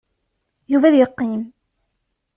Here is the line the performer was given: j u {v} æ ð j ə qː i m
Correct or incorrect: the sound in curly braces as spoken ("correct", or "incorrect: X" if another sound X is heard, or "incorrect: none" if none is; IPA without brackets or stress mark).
correct